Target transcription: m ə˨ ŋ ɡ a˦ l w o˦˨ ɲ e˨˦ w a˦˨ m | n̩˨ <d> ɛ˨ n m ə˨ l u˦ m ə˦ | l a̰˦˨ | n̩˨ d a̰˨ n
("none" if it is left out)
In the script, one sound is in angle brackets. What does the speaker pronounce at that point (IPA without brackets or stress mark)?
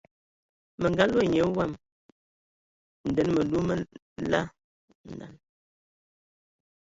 d